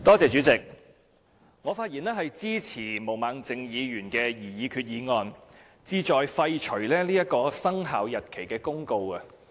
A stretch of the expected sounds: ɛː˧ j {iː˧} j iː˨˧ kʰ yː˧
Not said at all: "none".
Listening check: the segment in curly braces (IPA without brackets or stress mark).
iː˨˩